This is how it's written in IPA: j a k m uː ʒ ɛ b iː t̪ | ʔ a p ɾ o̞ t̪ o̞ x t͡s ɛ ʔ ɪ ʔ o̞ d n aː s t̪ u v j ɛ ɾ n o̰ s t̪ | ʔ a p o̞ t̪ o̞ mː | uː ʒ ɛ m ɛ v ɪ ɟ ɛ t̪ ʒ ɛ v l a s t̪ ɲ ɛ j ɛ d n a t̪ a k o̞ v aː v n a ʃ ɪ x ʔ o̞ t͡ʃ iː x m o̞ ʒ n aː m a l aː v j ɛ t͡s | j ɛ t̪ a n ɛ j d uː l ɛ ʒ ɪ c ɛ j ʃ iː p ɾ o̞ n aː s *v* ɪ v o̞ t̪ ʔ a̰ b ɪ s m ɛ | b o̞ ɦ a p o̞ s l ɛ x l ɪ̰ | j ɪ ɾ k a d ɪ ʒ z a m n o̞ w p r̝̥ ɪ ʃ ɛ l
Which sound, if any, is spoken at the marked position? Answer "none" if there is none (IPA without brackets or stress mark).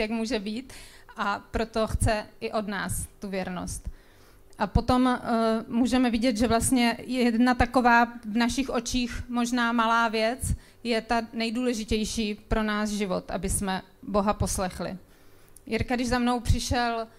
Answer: ʒ